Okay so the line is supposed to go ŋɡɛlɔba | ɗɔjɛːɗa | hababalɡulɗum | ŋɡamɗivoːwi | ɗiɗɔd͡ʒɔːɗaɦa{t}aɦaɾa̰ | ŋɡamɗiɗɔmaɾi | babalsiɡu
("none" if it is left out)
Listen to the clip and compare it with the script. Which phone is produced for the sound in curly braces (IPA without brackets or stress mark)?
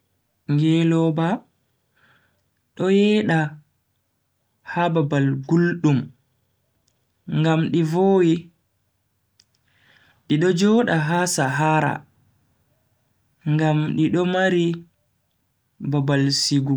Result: s